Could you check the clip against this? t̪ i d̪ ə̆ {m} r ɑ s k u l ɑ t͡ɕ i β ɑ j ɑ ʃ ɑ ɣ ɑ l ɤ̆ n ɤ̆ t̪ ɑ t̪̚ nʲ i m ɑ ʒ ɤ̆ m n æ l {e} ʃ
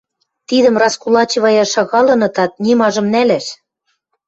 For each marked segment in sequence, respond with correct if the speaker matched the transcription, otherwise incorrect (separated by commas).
correct, incorrect